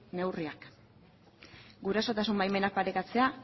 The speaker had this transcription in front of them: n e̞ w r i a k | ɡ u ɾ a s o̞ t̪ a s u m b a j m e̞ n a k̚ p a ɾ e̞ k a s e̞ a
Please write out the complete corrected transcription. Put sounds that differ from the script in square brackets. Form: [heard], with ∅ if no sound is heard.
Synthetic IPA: n e̞ w r i a k | ɡ u ɾ a s o̞ t̪ a s u m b a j m e̞ n a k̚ p a ɾ e̞ k a [t͡s] e̞ a